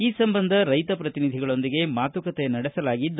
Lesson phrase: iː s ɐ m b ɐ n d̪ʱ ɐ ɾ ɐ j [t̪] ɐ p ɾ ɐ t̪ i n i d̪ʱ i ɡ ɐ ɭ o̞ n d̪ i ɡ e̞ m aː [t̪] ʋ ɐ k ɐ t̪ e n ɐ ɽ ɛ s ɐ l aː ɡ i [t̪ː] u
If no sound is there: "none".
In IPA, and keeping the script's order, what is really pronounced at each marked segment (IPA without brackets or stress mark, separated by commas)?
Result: t̪, t̪, d̪ː